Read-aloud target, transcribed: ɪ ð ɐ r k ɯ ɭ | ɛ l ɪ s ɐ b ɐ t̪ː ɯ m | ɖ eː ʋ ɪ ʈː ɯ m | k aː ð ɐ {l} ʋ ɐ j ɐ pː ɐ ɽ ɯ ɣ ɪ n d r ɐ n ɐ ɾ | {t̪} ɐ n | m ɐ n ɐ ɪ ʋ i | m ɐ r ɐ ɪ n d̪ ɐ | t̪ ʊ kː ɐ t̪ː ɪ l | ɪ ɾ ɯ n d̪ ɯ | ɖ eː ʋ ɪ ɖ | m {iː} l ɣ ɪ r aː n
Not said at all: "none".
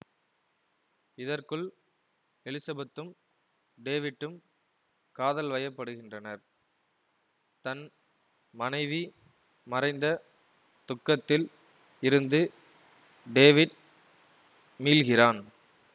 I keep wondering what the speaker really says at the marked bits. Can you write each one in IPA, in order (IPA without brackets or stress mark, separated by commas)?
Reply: l, t̪, iː